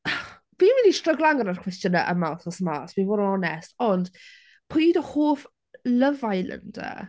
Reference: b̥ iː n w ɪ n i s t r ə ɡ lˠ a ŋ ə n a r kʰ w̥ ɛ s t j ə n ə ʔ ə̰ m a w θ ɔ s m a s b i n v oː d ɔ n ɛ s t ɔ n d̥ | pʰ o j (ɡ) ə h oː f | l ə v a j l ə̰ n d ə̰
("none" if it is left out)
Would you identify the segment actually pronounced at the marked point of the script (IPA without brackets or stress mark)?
d